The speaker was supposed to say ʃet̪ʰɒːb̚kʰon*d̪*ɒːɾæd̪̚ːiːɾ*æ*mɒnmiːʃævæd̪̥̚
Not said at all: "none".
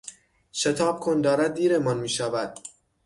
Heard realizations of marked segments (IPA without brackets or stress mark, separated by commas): d̪, e